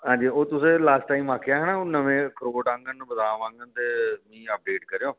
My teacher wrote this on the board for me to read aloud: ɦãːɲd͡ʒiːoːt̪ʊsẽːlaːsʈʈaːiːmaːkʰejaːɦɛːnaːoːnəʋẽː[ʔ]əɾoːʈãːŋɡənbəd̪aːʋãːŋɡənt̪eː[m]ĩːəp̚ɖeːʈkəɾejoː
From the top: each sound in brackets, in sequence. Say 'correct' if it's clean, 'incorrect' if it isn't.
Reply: incorrect: k, correct

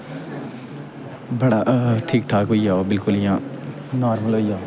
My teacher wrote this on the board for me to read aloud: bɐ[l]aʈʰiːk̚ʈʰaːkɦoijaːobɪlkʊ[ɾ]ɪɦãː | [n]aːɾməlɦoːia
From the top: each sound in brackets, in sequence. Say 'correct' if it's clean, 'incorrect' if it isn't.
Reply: incorrect: ɽ, incorrect: l, correct

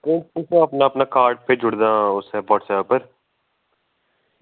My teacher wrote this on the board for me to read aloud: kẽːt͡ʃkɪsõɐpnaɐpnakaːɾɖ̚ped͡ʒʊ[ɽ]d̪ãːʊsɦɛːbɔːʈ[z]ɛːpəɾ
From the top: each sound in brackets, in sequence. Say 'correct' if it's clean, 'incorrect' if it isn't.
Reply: correct, incorrect: s

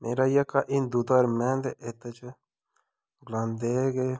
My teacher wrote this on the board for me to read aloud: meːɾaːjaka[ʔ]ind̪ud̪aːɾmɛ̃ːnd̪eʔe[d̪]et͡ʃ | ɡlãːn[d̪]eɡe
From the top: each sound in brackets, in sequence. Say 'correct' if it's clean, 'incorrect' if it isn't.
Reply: correct, incorrect: t̪, correct

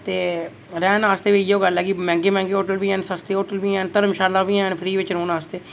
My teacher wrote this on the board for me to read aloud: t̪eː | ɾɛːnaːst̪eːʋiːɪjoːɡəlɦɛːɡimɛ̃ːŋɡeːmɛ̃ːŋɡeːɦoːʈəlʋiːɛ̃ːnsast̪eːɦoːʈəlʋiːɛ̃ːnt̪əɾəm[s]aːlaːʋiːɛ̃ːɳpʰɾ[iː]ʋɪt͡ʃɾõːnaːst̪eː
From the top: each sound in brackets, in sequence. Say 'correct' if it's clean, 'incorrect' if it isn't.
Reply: incorrect: ʃ, correct

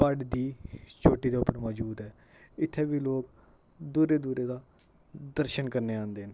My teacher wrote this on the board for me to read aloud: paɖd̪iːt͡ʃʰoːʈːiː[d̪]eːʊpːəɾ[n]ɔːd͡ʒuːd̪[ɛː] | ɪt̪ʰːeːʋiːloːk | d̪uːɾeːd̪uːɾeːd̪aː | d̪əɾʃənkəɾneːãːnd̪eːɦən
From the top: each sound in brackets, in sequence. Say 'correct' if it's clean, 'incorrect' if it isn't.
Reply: correct, incorrect: m, correct

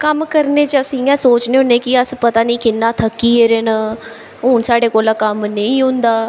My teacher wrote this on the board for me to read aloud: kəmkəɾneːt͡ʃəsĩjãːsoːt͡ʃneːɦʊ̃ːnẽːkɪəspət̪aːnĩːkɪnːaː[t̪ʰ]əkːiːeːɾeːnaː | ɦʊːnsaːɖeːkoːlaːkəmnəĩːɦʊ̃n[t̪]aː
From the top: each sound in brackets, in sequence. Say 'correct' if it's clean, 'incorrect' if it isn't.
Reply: correct, incorrect: d̪

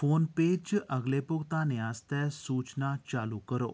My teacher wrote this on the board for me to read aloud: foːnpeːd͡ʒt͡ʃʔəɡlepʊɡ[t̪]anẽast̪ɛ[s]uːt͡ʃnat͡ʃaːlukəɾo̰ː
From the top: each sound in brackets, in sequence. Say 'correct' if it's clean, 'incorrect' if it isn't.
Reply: correct, correct

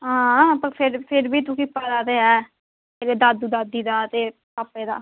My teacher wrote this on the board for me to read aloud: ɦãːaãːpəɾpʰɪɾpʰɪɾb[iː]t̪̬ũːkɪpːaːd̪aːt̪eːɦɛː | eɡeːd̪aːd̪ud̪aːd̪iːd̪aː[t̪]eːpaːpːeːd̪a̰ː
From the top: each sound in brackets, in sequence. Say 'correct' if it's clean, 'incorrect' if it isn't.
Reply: correct, correct

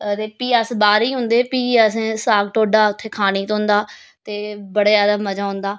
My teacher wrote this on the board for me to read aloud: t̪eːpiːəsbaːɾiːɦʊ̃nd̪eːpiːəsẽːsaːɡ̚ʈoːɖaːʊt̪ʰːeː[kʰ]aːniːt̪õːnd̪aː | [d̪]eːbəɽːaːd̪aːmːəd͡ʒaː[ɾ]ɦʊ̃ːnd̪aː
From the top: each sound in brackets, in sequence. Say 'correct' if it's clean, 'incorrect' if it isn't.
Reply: correct, incorrect: t̪, incorrect: none

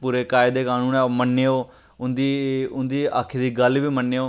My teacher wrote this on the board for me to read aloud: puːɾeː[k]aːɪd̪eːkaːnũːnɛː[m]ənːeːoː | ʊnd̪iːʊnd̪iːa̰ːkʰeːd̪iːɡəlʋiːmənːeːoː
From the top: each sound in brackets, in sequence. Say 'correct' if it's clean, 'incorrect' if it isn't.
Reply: correct, correct

